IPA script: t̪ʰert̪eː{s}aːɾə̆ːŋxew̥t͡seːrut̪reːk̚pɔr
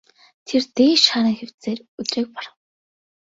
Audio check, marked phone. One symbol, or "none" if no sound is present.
ʃ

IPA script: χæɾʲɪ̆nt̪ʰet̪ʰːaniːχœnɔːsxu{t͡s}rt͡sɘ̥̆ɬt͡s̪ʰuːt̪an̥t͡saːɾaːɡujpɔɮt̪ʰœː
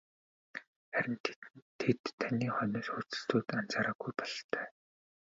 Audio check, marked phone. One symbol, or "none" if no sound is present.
none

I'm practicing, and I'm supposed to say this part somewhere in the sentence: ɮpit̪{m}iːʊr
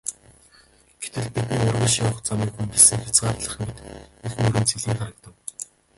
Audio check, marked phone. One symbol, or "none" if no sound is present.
n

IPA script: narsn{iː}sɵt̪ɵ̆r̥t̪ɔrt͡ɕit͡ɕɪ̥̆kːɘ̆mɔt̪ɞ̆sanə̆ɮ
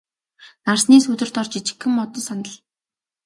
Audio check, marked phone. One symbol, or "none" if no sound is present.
iː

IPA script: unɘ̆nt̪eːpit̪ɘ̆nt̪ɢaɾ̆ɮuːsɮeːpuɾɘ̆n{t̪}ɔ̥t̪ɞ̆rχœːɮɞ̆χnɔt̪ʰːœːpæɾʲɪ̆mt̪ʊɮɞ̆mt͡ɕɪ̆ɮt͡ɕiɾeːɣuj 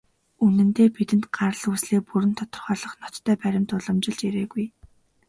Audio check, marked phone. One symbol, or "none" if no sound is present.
t̪ʰ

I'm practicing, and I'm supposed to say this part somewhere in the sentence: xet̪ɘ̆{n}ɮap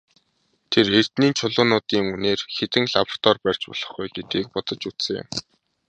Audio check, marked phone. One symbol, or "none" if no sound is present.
ŋ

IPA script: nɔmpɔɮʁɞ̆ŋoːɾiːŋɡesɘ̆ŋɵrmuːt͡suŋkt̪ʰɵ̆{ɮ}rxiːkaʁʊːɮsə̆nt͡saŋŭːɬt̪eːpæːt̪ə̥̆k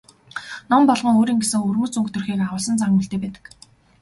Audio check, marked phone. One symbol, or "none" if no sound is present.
none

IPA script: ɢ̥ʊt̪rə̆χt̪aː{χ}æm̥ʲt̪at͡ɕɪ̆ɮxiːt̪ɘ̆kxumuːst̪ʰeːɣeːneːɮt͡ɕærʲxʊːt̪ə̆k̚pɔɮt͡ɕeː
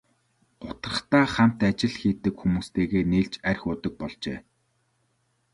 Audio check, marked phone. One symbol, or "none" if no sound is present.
χ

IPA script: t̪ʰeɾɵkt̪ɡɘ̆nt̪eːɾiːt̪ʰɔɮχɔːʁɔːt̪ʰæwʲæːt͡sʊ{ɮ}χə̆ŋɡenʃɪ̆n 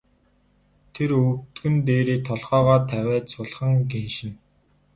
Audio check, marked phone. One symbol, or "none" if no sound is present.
ɮ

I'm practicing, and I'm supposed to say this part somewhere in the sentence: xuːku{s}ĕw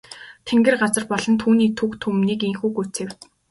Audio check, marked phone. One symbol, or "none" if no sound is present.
t͡s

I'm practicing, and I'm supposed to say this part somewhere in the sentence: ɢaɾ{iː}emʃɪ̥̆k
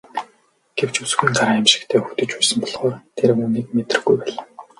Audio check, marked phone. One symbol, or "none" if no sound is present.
aː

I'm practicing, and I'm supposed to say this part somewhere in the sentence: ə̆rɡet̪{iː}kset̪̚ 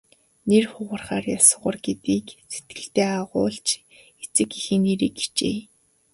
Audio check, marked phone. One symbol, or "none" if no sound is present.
iː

